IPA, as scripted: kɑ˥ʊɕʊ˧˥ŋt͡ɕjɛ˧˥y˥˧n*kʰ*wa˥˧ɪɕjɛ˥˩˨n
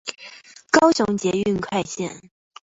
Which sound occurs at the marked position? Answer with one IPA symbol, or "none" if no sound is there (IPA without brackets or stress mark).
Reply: kʰ